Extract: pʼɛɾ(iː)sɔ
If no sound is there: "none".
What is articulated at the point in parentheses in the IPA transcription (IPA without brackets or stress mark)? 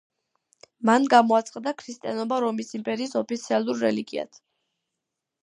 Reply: iː